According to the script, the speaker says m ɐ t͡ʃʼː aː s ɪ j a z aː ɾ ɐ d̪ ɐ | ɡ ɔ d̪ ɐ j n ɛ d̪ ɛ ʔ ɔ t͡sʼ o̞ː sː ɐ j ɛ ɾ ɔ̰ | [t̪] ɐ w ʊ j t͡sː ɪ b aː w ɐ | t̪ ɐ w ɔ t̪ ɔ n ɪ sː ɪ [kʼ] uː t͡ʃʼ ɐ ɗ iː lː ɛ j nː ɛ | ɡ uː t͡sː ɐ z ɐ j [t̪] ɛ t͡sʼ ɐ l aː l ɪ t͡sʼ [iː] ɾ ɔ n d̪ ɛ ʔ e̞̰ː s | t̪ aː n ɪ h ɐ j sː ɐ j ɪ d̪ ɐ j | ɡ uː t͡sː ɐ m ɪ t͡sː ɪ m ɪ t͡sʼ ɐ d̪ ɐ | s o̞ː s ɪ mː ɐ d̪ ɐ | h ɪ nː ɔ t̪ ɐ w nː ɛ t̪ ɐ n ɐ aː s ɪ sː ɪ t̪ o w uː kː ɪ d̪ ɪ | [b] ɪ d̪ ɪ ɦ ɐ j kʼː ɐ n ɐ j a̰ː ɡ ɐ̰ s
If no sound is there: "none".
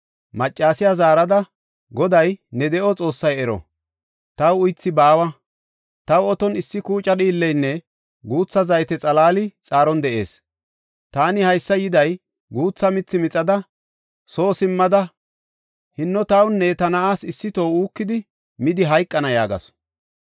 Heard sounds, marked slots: t̪, k, t̪, aː, m

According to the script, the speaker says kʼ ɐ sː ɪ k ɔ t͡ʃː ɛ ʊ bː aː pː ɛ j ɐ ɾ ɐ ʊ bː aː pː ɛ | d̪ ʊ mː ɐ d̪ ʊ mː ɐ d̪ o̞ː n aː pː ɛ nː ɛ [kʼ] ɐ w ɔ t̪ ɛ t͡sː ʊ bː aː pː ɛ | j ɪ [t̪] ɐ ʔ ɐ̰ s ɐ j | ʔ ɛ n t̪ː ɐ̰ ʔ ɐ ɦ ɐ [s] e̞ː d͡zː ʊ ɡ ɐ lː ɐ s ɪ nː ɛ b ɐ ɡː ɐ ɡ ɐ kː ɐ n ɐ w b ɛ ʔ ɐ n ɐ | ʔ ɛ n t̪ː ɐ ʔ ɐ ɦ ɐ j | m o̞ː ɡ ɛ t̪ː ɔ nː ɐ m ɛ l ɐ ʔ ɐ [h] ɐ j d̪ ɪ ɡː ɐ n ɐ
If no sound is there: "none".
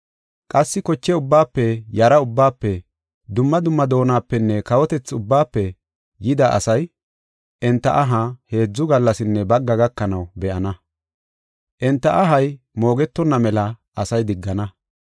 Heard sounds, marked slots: k, d̪, h, s

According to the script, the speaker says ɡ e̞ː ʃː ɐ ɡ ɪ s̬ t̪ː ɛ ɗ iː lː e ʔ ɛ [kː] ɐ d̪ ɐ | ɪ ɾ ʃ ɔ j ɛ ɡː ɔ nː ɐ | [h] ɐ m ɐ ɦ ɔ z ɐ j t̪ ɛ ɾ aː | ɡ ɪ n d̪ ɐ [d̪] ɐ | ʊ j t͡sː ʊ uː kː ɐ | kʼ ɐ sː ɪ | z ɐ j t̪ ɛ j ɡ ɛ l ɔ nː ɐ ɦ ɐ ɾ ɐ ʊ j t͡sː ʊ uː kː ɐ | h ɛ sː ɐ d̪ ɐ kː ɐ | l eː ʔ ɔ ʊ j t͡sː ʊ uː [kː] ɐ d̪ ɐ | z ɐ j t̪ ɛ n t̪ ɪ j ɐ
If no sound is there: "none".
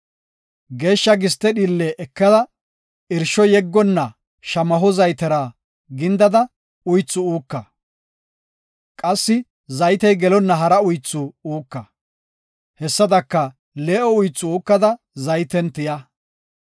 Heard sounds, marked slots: kː, ʃ, d̪, kː

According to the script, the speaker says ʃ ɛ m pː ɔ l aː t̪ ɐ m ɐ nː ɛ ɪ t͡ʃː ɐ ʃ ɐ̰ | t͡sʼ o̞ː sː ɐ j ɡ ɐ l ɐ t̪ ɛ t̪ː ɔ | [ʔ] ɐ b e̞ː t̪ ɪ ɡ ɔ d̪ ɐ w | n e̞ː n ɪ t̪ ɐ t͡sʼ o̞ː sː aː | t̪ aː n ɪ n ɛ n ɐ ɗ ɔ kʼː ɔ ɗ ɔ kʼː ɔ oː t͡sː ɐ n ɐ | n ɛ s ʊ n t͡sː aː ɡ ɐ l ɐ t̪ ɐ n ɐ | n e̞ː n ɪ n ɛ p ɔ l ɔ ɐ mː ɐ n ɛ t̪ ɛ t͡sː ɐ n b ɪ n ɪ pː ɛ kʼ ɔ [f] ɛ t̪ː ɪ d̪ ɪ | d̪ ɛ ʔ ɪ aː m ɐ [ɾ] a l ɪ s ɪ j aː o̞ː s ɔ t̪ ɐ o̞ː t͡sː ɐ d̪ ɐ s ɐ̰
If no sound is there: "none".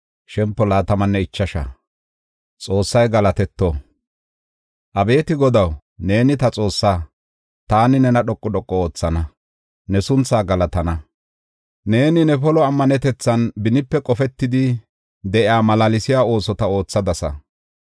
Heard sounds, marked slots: ʔ, f, l

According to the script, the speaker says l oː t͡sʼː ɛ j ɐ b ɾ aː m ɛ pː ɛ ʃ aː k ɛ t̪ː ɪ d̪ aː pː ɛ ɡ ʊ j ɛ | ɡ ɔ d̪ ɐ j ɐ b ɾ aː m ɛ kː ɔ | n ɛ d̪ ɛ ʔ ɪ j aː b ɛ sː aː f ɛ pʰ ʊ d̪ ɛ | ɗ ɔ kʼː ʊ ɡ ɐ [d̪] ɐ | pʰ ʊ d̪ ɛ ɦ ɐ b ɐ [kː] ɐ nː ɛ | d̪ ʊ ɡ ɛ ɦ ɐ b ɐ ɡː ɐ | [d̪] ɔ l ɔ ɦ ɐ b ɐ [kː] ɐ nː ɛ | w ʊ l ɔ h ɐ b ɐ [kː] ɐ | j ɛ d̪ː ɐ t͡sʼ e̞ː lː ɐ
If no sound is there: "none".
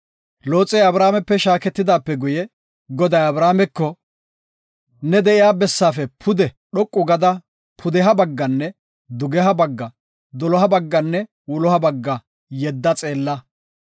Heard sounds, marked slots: d̪, ɡː, d̪, ɡː, ɡː

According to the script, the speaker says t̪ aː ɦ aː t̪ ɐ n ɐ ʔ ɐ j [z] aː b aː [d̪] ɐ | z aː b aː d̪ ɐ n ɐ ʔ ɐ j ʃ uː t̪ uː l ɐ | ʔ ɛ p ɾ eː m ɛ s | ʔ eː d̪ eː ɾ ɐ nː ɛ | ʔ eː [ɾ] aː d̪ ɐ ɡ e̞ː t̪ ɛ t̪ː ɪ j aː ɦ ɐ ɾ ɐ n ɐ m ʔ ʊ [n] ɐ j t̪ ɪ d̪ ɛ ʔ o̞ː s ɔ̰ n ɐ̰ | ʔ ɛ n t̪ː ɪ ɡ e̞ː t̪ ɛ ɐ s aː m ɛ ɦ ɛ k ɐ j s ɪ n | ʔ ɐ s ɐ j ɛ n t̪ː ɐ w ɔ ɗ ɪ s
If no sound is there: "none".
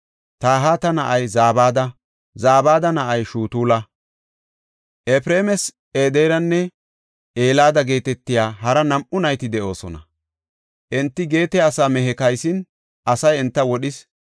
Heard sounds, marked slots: z, d̪, l, n

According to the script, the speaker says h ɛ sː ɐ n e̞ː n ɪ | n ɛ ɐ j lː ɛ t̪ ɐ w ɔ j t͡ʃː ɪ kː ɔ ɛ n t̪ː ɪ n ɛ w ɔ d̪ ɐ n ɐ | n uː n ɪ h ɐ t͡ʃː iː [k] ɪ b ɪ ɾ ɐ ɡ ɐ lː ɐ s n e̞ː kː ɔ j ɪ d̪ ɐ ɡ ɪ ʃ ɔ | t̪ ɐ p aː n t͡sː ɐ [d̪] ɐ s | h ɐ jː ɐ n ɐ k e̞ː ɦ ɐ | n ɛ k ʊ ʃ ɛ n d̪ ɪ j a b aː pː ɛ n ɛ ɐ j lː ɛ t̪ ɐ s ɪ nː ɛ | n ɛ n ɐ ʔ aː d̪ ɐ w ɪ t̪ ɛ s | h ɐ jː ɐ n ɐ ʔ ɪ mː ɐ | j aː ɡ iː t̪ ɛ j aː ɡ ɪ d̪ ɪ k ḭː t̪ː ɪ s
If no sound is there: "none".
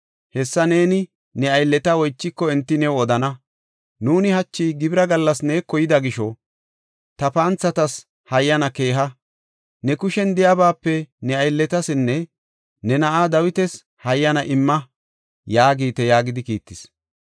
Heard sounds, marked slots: ɡ, t̪

